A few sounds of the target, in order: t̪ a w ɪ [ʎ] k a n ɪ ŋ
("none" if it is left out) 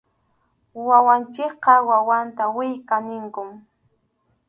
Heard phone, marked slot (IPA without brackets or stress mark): j